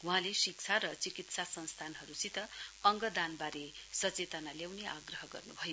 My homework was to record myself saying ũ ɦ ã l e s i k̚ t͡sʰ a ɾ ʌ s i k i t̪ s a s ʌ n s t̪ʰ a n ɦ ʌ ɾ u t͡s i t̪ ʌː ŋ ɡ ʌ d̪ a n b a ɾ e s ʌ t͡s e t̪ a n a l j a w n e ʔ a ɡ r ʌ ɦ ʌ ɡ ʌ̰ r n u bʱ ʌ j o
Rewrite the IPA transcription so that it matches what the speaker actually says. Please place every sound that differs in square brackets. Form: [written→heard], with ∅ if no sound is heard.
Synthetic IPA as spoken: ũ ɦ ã l e s i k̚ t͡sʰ a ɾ ʌ [s→t͡s] i k i t̪ s a s ʌ n s t̪ʰ a n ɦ ʌ ɾ u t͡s i t̪ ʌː ŋ ɡ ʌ d̪ a n b a ɾ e s ʌ t͡s e t̪ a n a l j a w n e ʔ a ɡ r ʌ ɦ ʌ ɡ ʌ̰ r n u bʱ ʌ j o